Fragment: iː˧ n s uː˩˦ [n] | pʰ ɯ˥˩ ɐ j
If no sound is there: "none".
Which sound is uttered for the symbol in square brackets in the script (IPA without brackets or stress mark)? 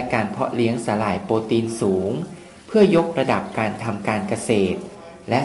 ŋ